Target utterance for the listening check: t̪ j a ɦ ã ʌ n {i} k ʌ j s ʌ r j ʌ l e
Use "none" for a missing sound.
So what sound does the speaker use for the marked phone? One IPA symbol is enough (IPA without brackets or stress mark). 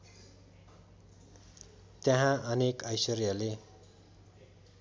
e